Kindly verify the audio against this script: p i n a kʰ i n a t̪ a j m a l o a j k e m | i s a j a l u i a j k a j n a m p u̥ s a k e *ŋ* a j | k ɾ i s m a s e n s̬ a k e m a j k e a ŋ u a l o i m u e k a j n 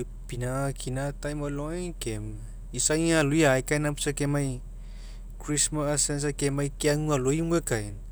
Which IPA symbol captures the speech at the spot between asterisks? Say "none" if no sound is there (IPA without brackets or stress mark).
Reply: m